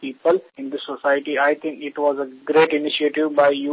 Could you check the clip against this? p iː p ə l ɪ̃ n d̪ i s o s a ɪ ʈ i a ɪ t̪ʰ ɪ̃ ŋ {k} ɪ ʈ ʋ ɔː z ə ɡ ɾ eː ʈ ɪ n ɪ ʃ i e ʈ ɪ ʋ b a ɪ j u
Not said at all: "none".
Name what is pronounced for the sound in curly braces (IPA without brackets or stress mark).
k